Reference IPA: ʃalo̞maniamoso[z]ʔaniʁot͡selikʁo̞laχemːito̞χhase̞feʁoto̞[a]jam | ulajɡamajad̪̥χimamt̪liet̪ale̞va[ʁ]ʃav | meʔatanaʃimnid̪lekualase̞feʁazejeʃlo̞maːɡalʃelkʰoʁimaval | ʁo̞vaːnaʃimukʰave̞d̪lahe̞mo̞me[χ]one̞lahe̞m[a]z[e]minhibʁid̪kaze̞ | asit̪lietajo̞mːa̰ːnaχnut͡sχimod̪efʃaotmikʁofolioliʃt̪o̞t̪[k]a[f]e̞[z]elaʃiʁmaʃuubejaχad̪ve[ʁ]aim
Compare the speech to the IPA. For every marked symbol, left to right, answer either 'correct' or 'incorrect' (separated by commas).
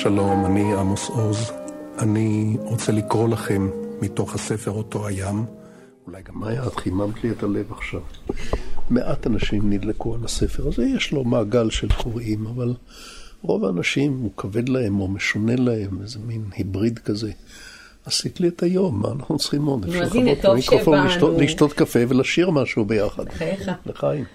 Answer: correct, correct, incorrect, incorrect, incorrect, correct, correct, correct, incorrect, incorrect